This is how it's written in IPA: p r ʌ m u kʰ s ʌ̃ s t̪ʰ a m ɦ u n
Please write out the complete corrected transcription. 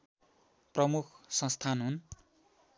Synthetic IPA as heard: p r ʌ m u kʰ s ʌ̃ s t̪ʰ a n ɦ u n